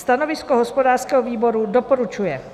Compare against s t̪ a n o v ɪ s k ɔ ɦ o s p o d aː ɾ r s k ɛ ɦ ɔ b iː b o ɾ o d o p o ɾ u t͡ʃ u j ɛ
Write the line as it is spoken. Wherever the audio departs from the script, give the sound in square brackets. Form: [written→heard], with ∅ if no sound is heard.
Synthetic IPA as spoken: s t̪ a n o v ɪ s k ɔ ɦ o s p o d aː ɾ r s k ɛ ɦ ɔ [b→v] iː b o ɾ [o→u] d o p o ɾ u t͡ʃ u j ɛ

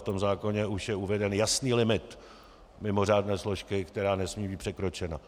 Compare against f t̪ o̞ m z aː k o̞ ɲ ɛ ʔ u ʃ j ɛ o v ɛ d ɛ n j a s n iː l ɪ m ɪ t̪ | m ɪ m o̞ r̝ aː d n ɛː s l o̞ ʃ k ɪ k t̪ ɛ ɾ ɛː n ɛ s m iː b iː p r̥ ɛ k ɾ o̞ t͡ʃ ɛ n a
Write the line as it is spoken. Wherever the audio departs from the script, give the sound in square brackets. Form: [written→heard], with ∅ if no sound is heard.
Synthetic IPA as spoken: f t̪ o̞ m z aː k o̞ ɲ ɛ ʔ u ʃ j ɛ [o→u] v ɛ d ɛ n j a s n iː l ɪ m ɪ t̪ | m ɪ m o̞ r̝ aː d n ɛː s l o̞ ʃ k ɪ k t̪ ɛ ɾ [ɛː→aː] n ɛ s m iː b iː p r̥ ɛ k ɾ o̞ t͡ʃ ɛ n a

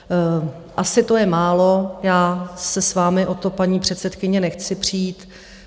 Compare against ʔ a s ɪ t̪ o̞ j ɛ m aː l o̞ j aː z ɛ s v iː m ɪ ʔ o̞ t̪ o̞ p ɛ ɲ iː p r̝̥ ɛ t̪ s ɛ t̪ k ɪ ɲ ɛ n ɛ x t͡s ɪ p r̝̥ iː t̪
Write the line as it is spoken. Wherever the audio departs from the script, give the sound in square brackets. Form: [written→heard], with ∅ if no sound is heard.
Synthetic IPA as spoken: ʔ a s ɪ t̪ o̞ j ɛ m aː l o̞ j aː [z→s] ɛ s v [iː→aː] m ɪ ʔ o̞ t̪ o̞ p [ɛ→a] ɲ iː p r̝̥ ɛ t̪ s ɛ t̪ k ɪ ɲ ɛ n ɛ x t͡s ɪ p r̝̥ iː t̪

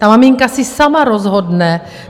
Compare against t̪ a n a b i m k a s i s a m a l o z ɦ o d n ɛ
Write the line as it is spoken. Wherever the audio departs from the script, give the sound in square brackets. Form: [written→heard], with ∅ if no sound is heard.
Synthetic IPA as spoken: t̪ a [n→m] a [b→m] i [m→ŋ] k a s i s a m a [l→ɾ] o z ɦ o d n ɛ

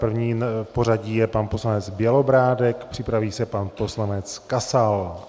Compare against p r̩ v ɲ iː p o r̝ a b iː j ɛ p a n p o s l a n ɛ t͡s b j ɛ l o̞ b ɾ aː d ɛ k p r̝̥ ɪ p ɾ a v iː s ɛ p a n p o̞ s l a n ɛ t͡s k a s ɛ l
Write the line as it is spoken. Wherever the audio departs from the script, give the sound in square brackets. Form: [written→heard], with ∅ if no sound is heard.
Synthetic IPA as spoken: p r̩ v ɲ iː p o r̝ a [b→ɟ] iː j ɛ p a n p o s l a n ɛ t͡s b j ɛ l o̞ b ɾ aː d ɛ k p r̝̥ ɪ p ɾ a v iː s ɛ p a n p o̞ s l a n ɛ t͡s k a s [ɛ→a] l

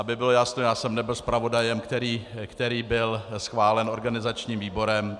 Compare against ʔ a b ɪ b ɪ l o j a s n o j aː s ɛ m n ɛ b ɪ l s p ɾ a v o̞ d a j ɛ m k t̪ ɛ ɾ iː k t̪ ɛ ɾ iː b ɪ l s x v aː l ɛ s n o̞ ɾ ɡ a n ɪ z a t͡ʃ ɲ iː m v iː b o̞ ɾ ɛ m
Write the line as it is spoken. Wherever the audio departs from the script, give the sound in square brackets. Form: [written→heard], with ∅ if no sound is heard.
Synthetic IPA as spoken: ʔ a b ɪ b ɪ l o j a s n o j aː s ɛ m n ɛ b ɪ l s p ɾ a v o̞ d a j ɛ m k t̪ ɛ ɾ iː k t̪ ɛ ɾ iː b ɪ l s x v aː l ɛ [s→∅] n o̞ ɾ ɡ a n ɪ z a t͡ʃ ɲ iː m v iː b o̞ ɾ ɛ m

